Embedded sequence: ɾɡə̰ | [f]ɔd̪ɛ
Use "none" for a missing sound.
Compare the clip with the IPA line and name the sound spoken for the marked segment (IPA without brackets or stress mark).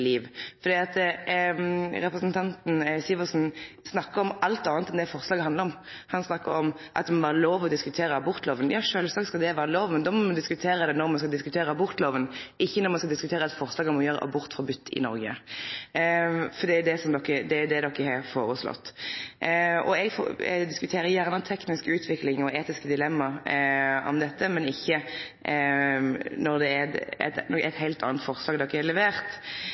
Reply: f